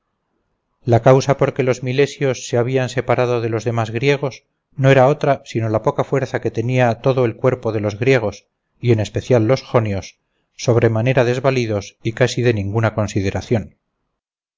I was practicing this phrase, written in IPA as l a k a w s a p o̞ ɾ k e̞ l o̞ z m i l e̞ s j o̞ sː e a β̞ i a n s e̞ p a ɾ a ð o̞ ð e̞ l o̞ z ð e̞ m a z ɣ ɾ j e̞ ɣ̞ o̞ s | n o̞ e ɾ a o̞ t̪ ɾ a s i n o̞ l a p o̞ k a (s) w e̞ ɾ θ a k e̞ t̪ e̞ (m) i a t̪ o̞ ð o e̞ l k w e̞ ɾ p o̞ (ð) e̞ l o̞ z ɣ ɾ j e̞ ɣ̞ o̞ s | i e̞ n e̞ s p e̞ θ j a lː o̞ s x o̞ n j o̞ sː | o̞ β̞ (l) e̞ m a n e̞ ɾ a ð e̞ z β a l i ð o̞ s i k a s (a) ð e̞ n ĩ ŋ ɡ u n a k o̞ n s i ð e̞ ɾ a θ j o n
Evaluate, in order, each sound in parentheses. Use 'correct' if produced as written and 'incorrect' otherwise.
incorrect: f, incorrect: n, correct, incorrect: ɾ, incorrect: i

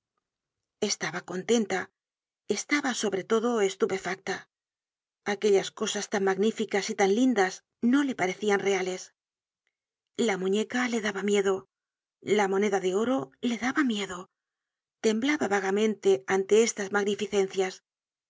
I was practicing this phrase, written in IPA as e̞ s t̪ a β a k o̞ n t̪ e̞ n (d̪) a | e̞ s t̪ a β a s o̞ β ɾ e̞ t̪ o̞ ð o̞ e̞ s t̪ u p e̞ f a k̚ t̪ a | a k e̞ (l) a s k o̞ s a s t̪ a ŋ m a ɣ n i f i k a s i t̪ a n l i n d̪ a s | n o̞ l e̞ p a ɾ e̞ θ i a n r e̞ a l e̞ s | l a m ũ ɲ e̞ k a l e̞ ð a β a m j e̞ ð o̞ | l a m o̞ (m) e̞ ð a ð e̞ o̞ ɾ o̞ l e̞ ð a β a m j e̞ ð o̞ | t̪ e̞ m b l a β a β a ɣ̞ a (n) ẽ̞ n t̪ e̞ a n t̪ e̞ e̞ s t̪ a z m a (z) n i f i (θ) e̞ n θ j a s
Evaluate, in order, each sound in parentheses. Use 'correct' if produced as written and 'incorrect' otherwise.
incorrect: t̪, incorrect: ʎ, incorrect: n, incorrect: m, incorrect: ɣ, correct

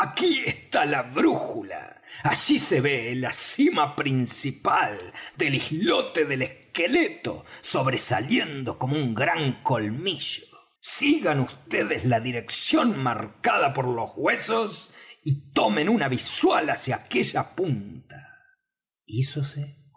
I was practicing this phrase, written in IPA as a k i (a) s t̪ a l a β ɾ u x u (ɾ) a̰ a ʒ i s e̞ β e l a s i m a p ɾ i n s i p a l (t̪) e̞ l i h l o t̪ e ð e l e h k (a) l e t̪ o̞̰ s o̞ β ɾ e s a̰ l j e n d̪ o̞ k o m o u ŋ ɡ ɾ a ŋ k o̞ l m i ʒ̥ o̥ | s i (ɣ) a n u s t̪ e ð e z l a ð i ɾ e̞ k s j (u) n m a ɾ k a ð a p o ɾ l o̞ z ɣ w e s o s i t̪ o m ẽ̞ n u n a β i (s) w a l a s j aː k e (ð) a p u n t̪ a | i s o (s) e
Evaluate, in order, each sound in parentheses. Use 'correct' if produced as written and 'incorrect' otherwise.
incorrect: e, incorrect: l, incorrect: d̪, incorrect: e, correct, incorrect: o, correct, incorrect: ʒ, correct

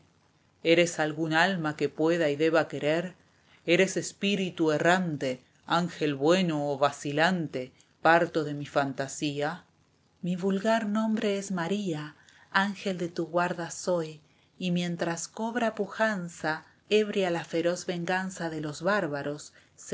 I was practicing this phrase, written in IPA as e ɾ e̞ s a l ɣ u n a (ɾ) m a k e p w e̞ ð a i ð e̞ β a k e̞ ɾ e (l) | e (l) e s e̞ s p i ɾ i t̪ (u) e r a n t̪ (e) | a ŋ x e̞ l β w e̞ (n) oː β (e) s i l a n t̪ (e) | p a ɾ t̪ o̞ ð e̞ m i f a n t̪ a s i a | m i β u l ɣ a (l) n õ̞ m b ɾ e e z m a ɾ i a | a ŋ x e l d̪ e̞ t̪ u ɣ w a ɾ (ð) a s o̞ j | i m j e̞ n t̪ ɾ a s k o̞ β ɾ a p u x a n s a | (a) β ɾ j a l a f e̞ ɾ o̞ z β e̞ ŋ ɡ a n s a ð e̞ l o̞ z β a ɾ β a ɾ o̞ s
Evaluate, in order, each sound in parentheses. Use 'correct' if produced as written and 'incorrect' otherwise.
incorrect: l, incorrect: ɾ, incorrect: ɾ, correct, correct, correct, incorrect: a, correct, incorrect: ɾ, correct, incorrect: e

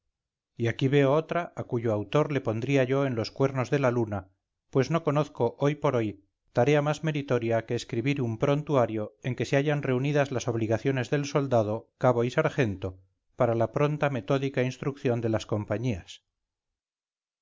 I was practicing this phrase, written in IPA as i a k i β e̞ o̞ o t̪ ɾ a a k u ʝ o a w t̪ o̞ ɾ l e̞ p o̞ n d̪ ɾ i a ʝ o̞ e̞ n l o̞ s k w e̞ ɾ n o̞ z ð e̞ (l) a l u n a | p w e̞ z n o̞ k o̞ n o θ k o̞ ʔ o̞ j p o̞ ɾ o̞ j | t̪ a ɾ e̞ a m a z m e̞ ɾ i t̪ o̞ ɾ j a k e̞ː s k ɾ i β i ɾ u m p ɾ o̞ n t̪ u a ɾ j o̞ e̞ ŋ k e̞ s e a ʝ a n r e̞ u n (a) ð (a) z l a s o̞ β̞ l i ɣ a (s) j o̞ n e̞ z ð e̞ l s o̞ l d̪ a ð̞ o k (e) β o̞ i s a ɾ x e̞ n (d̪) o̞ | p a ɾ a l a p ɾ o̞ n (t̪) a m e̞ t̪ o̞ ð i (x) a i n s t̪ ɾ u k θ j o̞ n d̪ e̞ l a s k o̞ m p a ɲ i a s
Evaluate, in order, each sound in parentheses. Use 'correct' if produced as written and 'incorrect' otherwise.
correct, incorrect: i, correct, incorrect: θ, incorrect: a, incorrect: t̪, correct, incorrect: k

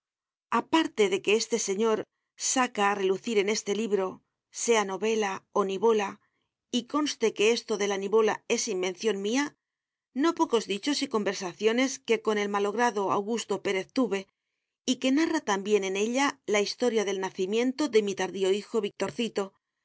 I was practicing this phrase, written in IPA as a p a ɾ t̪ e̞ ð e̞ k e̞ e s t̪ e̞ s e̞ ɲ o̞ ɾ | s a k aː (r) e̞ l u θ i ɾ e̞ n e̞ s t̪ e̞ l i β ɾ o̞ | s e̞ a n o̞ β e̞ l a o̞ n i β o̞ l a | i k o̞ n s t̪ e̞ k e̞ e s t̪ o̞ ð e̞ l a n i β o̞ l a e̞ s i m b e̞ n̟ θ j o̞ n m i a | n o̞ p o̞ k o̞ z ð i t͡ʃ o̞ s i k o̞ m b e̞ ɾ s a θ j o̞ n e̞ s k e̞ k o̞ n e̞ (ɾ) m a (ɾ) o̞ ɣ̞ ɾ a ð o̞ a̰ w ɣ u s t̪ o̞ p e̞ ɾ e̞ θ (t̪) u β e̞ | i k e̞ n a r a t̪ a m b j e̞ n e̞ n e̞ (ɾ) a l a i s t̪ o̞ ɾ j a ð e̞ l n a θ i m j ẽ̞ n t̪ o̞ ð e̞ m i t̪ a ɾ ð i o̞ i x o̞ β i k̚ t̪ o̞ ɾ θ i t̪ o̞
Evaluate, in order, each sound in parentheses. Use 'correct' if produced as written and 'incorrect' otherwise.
correct, incorrect: l, incorrect: l, correct, incorrect: ʎ

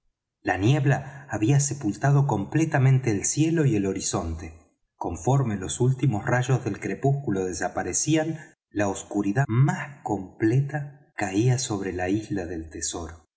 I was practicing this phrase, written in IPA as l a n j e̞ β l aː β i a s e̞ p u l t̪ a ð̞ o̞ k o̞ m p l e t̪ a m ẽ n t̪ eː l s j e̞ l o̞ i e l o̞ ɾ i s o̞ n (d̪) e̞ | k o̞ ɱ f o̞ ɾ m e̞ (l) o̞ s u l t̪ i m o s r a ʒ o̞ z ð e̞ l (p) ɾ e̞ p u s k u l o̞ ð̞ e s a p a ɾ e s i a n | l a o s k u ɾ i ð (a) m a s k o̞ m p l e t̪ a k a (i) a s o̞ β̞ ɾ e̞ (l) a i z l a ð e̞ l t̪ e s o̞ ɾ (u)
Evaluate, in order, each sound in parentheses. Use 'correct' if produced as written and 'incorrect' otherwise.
incorrect: t̪, correct, incorrect: k, correct, correct, correct, incorrect: o

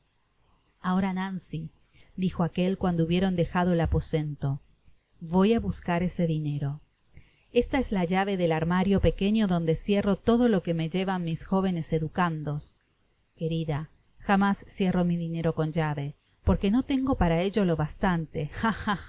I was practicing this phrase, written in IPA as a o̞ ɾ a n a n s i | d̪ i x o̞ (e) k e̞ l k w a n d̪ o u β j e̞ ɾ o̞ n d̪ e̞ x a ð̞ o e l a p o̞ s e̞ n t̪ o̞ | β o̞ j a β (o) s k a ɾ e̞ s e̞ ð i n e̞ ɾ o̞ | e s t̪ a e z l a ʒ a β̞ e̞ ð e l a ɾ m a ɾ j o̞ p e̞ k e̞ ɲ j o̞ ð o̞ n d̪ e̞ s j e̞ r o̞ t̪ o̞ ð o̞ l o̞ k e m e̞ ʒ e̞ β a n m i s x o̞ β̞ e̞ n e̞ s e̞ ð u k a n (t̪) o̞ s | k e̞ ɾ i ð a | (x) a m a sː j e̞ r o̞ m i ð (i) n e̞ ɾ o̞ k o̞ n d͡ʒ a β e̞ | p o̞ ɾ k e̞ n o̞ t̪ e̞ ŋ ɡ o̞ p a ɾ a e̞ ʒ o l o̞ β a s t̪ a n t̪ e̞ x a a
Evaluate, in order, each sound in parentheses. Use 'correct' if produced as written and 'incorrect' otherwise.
incorrect: a, incorrect: u, incorrect: d̪, correct, correct

